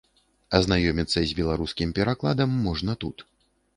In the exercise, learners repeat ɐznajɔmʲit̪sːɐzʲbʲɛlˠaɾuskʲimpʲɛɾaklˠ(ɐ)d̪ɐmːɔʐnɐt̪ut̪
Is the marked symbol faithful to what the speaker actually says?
no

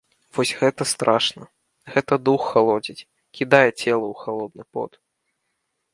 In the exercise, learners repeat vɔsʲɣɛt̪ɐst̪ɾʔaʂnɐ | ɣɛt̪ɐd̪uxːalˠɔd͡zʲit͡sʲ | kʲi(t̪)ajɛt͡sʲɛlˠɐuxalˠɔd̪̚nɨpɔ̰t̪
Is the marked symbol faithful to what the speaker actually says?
no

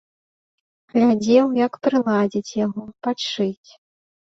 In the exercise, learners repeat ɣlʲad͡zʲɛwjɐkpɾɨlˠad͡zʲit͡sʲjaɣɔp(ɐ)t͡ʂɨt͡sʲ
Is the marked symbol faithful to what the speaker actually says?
no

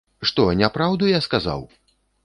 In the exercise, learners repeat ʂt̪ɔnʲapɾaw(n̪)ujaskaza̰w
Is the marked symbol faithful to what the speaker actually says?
no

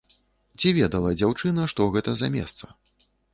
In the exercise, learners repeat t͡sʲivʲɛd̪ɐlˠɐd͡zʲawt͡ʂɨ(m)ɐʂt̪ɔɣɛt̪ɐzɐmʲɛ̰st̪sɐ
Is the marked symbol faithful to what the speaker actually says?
no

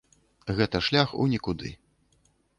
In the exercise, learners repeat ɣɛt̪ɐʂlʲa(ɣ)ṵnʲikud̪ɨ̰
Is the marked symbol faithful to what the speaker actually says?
no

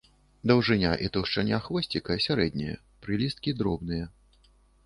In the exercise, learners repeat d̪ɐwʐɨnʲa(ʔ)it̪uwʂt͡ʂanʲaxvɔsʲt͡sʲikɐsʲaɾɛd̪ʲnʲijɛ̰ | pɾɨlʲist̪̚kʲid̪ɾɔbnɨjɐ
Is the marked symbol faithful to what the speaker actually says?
yes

